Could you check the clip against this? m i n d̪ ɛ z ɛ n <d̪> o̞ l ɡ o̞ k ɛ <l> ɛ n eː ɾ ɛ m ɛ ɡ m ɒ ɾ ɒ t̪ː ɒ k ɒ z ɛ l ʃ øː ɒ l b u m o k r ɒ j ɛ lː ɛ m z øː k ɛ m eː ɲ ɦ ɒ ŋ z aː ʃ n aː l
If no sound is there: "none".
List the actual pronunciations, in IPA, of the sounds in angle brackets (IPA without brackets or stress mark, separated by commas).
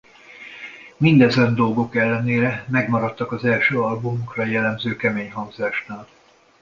d̪, lː